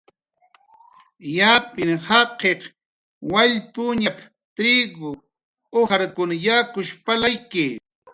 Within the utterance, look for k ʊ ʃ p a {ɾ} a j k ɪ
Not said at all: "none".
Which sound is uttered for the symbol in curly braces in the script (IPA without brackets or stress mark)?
l